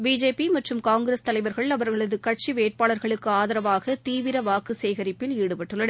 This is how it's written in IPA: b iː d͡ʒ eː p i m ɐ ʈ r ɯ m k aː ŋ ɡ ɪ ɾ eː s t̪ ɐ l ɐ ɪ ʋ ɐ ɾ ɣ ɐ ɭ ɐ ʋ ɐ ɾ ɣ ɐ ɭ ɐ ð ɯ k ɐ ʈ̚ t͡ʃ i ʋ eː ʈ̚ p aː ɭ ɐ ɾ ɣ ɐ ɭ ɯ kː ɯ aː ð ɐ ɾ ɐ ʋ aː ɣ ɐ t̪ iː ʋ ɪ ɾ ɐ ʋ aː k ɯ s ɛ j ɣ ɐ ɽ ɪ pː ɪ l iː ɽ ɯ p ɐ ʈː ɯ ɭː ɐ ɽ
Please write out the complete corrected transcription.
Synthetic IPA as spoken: b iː d͡ʒ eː p i m ɐ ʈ r ɯ m k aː ŋ ɡ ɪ ɾ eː s t̪ ɐ l ɐ ɪ ʋ ɐ ɾ ɣ ɐ ɭ ɐ ʋ ɐ ɾ ɣ ɐ ɭ ɐ ð ɯ k ɐ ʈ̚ t͡ʃ i ʋ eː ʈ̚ p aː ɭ ɐ ɾ ɣ ɐ ɭ ɯ kː ɯ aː ð ɐ ɾ ɐ ʋ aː ɣ ɐ t̪ iː ʋ ɪ ɾ ɐ ʋ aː k ɯ s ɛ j ɣ ɐ ɾ ɪ pː ɪ l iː ɽ ɯ p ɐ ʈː ɯ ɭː ɐ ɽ